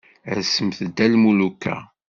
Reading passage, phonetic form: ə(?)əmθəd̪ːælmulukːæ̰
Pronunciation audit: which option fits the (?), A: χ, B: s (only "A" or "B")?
B